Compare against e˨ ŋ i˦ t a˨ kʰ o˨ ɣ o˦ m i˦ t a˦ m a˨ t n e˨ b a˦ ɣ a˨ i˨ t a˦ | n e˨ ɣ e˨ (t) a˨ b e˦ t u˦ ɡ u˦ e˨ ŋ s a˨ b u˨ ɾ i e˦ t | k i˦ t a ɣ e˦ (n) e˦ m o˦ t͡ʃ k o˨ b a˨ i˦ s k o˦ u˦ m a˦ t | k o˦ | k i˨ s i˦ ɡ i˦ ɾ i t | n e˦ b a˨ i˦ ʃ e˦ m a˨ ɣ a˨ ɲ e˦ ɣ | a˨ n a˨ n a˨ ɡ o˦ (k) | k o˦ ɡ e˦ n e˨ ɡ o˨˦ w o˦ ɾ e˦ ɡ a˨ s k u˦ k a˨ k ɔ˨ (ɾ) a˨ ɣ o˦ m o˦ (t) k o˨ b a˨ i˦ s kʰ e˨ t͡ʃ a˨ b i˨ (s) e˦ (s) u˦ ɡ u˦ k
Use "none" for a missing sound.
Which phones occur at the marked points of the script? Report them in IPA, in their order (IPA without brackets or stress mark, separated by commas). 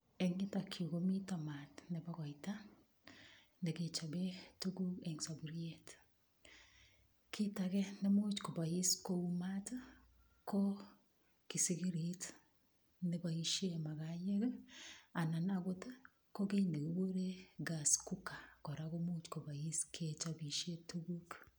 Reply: t͡ʃ, n, t, ɾ, t͡ʃ, ʃ, t